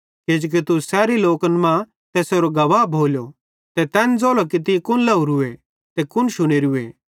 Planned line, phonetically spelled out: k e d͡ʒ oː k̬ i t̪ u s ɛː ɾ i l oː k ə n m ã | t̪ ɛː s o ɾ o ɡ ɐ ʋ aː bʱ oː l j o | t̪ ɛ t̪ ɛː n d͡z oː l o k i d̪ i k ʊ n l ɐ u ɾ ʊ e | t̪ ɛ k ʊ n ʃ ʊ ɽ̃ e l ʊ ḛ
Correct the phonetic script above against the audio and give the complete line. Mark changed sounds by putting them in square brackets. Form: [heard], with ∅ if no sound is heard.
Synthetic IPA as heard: k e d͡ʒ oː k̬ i t̪ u s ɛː ɾ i l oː k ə n m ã | t̪ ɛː s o ɾ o ɡ ɐ ʋ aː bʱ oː l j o | t̪ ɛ t̪ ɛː n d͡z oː l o k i [t̪] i k ʊ n l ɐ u ɾ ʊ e | t̪ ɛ k ʊ n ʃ ʊ ɽ̃ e [ɾ] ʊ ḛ